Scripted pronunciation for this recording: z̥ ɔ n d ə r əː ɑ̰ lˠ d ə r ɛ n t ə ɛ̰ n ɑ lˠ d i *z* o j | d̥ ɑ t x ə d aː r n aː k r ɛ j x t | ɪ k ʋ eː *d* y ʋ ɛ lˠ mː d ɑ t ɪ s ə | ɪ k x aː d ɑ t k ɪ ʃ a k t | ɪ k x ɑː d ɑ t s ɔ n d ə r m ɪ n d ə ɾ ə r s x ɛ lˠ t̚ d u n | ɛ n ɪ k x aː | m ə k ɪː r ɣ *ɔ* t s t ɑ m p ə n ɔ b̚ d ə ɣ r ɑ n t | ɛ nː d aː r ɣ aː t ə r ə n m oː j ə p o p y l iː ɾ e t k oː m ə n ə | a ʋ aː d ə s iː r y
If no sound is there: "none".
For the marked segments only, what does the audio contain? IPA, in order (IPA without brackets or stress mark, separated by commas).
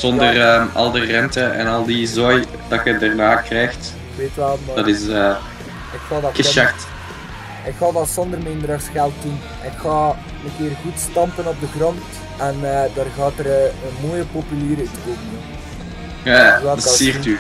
z, t, u